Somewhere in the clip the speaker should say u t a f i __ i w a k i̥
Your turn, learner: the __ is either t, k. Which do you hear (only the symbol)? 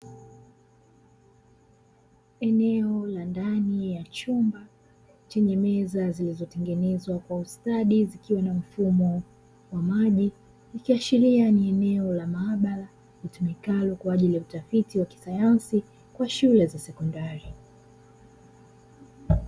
t